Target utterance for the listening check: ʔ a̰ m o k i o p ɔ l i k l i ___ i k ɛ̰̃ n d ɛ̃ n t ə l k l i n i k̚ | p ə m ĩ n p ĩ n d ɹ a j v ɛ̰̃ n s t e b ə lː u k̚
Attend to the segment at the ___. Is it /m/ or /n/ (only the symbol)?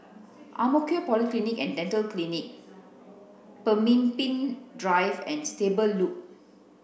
n